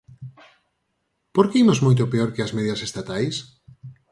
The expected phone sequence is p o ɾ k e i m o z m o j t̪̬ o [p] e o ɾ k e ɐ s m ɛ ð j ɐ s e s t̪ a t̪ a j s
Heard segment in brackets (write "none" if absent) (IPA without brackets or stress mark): p